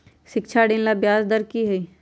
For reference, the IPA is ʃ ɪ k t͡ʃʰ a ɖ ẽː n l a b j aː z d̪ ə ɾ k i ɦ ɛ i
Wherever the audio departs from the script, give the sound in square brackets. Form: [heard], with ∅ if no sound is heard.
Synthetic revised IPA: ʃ ɪ k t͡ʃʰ a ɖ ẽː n l a b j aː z d̪ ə ɾ k i ɦ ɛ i